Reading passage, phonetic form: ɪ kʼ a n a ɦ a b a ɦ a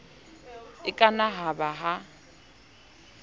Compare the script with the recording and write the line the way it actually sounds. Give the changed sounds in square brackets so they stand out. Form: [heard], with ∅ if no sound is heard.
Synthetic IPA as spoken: ɪ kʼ a n a ɦ a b a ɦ a

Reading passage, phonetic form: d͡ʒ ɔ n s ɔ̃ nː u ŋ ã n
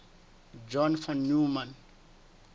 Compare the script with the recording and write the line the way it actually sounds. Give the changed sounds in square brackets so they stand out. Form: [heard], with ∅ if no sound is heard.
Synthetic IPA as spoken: d͡ʒ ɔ n [f] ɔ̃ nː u [m] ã n

